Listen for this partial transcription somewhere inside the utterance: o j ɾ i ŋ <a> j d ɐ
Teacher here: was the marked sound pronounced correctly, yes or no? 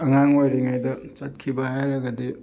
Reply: yes